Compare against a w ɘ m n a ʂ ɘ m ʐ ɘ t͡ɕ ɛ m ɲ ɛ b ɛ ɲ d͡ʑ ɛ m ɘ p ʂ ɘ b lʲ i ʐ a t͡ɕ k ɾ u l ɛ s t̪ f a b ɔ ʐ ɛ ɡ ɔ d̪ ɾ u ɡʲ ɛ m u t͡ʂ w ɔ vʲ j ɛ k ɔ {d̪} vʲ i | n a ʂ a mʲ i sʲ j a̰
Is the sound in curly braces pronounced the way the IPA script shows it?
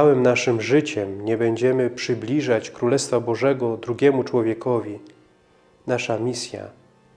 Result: no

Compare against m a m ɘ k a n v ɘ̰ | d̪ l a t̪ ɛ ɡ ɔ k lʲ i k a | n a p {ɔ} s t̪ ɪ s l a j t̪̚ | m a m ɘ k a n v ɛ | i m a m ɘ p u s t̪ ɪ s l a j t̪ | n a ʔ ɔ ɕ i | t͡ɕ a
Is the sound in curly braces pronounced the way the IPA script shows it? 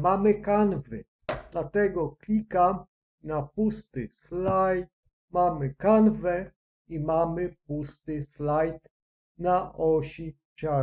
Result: no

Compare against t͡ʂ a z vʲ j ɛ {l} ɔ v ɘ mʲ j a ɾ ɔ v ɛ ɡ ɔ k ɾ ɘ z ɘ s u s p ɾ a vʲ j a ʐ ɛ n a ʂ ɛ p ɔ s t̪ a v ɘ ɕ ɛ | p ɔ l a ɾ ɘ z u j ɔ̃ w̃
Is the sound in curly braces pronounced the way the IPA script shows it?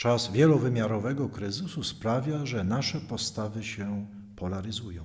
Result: yes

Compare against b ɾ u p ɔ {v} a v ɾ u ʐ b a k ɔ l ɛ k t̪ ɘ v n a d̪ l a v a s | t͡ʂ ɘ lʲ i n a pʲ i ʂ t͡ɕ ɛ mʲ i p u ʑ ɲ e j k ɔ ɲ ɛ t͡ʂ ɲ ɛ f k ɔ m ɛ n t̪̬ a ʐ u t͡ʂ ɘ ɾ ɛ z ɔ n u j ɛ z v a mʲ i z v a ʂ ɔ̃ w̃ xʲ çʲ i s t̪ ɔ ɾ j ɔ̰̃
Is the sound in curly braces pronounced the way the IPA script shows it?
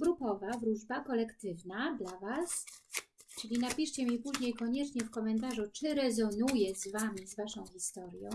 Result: yes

